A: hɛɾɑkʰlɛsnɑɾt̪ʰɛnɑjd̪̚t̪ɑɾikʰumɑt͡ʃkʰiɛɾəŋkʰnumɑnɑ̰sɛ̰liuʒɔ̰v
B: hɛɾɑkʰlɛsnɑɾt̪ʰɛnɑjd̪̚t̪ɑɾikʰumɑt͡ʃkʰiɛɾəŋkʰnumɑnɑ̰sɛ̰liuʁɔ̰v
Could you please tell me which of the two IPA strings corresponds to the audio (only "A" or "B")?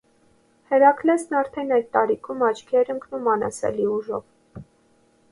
A